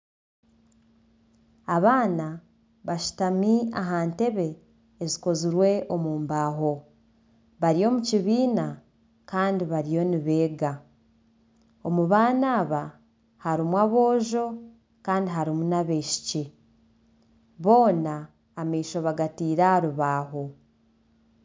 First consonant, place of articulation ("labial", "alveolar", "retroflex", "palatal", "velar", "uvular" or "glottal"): labial